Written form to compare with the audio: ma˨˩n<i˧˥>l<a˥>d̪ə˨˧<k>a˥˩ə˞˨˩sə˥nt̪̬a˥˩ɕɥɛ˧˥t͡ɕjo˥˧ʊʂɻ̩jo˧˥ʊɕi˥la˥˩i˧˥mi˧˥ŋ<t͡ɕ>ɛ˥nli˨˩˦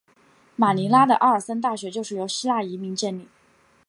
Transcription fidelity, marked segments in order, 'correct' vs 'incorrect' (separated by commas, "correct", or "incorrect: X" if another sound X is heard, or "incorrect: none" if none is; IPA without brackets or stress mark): correct, correct, incorrect: ʔ, correct